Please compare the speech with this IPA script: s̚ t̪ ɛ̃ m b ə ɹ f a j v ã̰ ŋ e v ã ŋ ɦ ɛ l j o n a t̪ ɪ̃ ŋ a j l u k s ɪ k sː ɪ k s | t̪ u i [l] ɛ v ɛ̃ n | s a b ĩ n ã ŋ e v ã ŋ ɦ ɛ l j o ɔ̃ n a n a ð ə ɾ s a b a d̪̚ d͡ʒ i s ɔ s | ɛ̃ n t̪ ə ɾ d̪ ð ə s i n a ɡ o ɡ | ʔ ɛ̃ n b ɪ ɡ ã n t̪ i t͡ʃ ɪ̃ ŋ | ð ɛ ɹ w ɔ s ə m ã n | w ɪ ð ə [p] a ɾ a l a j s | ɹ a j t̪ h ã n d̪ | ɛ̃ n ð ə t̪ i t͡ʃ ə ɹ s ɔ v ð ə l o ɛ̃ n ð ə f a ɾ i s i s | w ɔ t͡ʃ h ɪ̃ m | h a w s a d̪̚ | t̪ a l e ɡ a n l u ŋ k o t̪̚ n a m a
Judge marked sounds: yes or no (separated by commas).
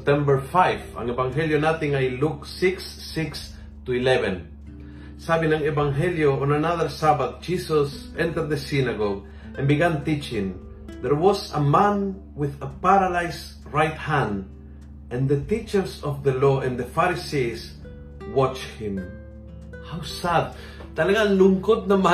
yes, yes